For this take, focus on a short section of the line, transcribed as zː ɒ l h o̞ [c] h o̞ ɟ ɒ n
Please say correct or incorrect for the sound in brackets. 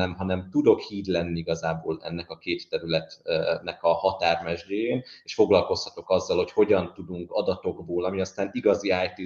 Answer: correct